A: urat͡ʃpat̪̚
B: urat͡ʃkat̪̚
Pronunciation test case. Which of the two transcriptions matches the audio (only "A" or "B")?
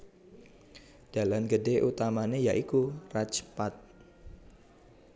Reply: A